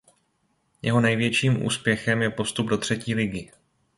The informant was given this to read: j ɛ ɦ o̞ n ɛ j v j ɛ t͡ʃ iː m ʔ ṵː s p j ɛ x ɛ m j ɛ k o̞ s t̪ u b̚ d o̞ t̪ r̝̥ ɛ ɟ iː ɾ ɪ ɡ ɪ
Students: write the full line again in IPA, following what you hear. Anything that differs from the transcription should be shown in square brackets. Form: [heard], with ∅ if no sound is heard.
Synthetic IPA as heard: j ɛ ɦ o̞ n ɛ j v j ɛ t͡ʃ iː m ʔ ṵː s p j ɛ x ɛ m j ɛ [p] o̞ s t̪ u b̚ d o̞ t̪ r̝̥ ɛ [c] iː [l] ɪ ɡ ɪ